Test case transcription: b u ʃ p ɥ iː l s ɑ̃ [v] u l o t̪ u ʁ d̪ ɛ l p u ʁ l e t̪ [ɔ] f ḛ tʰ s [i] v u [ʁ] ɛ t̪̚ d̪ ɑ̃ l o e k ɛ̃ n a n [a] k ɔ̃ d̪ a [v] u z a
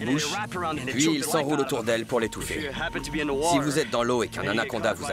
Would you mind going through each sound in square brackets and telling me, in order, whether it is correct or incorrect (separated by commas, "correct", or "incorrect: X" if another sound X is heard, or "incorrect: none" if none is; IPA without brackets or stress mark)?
incorrect: ʁ, incorrect: u, correct, incorrect: z, correct, correct